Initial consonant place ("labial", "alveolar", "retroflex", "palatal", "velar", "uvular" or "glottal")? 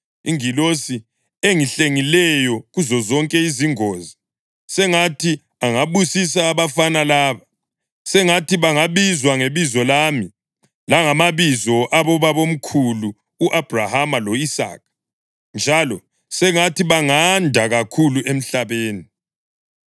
velar